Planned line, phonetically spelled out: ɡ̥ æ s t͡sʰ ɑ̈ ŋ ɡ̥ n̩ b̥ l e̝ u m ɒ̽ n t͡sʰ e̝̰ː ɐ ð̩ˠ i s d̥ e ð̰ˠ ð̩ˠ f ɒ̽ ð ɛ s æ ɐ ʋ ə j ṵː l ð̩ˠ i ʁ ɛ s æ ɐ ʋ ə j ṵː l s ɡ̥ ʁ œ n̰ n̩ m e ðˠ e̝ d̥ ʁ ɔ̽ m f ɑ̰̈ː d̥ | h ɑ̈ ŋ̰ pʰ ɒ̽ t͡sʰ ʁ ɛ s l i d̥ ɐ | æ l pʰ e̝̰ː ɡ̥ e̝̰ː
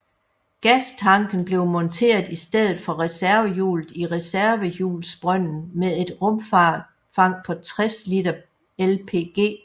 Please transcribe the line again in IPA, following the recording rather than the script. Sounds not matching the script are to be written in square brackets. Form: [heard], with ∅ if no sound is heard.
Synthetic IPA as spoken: ɡ̥ æ s t͡sʰ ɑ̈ ŋ ɡ̥ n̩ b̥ l e̝ [ʊ] m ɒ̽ n t͡sʰ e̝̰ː ɐ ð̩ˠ i s d̥ e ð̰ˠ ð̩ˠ f ɒ̽ [ʁ] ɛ s æ ɐ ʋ ə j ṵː l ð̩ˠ i ʁ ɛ s æ ɐ ʋ ə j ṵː l s [b̥] ʁ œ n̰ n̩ m e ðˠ e̝ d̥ ʁ ɔ̽ m f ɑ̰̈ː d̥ | [f] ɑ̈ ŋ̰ pʰ ɒ̽ t͡sʰ ʁ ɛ s l i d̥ ɐ | [e] l pʰ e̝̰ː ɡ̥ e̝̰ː